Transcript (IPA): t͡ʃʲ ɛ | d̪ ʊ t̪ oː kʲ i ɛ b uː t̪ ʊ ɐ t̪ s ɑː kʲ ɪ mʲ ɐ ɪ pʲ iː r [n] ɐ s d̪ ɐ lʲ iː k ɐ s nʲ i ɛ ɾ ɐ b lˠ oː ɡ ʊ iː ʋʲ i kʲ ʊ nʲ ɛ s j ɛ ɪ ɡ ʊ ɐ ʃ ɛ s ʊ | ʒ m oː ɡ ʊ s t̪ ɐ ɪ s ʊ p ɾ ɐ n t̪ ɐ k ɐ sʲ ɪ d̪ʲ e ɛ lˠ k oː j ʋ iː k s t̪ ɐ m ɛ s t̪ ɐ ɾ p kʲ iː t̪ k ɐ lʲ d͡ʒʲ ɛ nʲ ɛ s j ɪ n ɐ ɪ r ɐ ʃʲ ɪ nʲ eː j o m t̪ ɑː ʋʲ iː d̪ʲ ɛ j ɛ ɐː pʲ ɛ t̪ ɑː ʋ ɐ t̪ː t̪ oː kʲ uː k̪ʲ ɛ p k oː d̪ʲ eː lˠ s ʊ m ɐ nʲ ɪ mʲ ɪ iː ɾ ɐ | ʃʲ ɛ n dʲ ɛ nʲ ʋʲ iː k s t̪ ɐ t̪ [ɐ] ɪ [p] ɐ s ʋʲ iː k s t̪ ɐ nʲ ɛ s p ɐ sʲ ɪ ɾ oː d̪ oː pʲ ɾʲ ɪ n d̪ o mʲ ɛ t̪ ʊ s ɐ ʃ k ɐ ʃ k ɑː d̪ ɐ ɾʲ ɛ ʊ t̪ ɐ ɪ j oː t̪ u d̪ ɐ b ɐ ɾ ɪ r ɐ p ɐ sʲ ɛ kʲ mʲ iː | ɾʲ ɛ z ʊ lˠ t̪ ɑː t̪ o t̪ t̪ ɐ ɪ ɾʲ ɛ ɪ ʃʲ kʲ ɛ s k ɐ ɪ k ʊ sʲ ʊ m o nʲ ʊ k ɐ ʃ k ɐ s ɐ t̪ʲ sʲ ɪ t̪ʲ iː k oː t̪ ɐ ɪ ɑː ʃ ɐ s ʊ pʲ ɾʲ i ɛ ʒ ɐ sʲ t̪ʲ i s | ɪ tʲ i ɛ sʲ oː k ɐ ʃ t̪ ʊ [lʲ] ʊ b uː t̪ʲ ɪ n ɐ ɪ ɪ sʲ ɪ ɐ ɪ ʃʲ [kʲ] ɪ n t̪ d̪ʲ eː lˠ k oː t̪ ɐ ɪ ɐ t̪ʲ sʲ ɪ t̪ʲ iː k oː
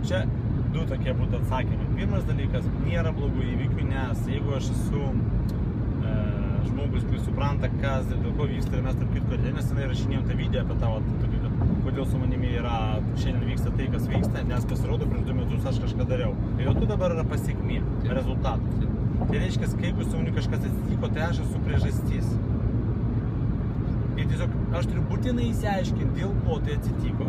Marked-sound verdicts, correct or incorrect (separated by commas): incorrect, correct, incorrect, incorrect, correct